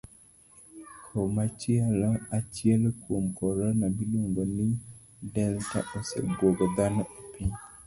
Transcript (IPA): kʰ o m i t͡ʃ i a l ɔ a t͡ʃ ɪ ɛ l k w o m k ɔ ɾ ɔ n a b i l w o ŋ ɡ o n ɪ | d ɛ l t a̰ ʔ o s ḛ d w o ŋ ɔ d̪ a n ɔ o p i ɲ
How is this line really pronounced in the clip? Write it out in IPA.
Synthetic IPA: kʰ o m a t͡ʃ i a l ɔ a t͡ʃ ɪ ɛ l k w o m k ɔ ɾ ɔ n a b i l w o ŋ ɡ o n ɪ | d ɛ l t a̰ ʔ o s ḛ b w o ɡ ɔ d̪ a n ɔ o p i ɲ